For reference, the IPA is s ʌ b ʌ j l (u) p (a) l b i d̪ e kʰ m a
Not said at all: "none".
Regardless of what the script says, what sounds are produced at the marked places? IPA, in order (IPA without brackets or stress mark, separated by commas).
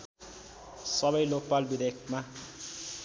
o, a